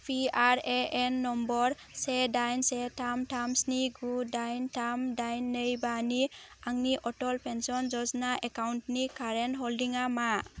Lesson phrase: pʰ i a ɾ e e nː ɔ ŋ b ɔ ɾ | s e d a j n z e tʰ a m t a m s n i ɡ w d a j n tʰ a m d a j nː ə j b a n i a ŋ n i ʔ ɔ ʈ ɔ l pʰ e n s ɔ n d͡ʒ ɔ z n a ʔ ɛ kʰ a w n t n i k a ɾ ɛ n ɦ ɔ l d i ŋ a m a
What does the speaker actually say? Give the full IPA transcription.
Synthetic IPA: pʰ i a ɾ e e nː ɔ m b ɔ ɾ | s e d a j n s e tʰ a m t a m s n i ɡ u d a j n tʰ a m d a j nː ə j b a n i a ŋ n i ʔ ɔ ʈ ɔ l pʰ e n s ɔ n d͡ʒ ɔ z n a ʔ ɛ k a w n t n i k a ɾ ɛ n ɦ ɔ l d i ŋ a m a